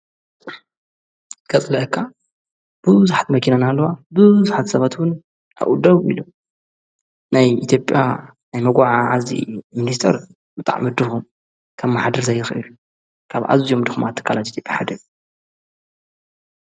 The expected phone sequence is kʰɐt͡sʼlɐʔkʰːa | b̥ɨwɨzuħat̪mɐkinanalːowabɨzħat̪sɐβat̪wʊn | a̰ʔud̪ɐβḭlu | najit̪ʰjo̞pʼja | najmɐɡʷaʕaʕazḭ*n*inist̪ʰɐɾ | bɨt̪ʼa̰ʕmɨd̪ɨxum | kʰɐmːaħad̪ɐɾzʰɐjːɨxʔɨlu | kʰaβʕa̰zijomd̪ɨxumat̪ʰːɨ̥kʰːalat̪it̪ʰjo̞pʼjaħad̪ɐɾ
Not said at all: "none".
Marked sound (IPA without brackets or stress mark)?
m